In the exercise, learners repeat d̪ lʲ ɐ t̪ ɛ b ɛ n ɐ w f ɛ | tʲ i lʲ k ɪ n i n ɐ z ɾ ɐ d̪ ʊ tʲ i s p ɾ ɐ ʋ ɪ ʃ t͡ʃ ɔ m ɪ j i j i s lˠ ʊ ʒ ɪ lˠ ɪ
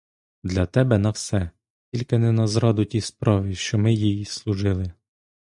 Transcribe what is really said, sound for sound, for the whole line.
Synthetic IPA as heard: d̪ lʲ ɐ t̪ ɛ b ɛ n ɐ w s ɛ | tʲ i lʲ k ɪ n ɛ n ɐ z ɾ ɑ d̪ ʊ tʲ i s p ɾ ɑ ʋ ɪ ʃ t͡ʃ ɔ m ɪ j i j i s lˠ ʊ ʒ ɪ lˠ ɪ